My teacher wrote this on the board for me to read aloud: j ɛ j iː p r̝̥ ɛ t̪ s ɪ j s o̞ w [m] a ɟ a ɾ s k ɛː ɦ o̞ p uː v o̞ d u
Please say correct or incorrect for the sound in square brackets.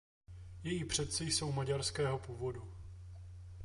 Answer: correct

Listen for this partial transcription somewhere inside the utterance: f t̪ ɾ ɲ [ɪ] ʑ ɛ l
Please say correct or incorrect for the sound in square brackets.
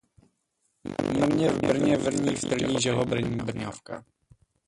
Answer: incorrect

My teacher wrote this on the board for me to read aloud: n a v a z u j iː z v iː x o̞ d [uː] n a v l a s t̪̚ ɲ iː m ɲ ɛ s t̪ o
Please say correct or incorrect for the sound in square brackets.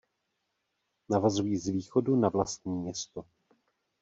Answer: incorrect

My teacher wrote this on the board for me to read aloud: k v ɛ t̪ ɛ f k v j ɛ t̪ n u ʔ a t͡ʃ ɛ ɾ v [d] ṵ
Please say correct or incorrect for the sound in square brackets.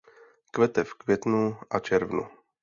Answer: incorrect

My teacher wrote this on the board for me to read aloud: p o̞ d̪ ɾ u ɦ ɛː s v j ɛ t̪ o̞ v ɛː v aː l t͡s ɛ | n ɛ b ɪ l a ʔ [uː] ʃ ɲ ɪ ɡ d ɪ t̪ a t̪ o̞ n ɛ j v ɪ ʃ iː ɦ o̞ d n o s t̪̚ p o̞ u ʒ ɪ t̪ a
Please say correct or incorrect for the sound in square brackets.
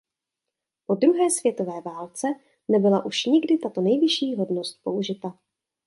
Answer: incorrect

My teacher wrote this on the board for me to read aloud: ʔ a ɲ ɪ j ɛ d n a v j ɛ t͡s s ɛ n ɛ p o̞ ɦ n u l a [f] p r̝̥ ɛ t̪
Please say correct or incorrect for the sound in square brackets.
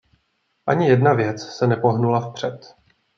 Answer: correct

